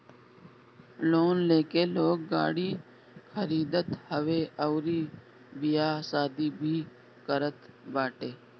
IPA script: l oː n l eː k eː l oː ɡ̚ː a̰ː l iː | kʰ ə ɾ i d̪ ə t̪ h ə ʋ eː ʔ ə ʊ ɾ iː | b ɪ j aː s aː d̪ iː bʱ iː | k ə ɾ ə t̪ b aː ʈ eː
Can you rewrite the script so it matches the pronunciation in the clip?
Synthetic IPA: l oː n l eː k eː l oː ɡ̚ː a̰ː ɽ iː | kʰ ə ɾ iː d̪ ə t̪ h ə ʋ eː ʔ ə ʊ ɾ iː | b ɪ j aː s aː d̪ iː bʱ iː | k ə ɾ ə t̪ b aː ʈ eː

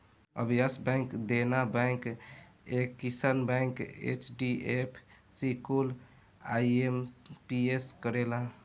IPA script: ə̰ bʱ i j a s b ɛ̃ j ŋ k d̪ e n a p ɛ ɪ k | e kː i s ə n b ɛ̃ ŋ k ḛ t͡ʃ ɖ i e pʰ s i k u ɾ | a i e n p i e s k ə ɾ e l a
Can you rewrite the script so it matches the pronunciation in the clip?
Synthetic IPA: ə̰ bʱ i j a s b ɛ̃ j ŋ k d̪ e n a b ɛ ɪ k | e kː i s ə n b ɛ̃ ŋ k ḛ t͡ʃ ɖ i e pʰ s i k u l | a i e m p i e s k ə ɾ e l a

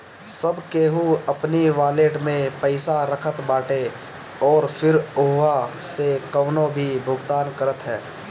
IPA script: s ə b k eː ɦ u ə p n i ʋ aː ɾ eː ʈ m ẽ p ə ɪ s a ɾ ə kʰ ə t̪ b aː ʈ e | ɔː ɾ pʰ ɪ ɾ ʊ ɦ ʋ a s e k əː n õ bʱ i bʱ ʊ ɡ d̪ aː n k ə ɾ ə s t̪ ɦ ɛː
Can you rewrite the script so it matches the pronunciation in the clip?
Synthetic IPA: s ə b k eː ɦ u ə p n i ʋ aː l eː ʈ m ẽ p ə ɪ s a ɾ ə kʰ ə t̪ b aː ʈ e | ɔː ɾ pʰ ɪ ɾ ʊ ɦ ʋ a s e k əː n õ bʱ i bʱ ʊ ɡ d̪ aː n k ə ɾ ə t̪ ɦ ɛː

